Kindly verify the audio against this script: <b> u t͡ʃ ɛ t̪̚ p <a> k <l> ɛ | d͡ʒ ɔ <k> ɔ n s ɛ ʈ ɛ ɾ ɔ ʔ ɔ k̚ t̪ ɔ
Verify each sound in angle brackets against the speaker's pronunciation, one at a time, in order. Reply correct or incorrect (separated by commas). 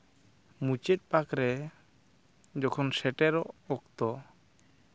incorrect, correct, incorrect, incorrect